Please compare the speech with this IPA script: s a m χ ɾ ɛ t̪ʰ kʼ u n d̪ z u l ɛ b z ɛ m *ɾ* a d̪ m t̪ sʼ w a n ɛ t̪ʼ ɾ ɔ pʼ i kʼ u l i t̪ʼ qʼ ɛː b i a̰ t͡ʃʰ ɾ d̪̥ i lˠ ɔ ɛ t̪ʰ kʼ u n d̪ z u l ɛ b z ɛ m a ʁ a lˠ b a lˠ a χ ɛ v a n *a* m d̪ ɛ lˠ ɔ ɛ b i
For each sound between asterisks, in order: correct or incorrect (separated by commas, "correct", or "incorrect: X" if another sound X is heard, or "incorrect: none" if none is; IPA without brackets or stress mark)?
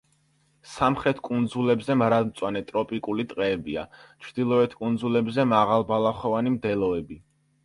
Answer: correct, incorrect: i